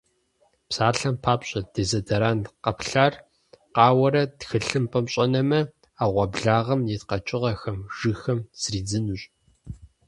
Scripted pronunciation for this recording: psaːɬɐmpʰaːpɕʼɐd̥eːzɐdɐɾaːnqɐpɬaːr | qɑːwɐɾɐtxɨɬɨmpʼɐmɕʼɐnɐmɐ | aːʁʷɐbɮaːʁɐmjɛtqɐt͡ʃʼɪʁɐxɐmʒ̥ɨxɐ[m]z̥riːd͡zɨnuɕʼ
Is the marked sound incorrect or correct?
correct